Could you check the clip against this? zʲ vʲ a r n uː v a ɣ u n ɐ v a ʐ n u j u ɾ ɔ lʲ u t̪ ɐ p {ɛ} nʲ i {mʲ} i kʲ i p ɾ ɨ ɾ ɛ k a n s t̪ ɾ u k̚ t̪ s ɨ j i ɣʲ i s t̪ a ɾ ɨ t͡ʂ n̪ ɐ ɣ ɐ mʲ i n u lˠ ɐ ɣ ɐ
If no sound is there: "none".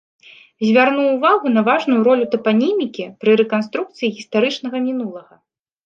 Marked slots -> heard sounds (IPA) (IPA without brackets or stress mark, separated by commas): a, mʲ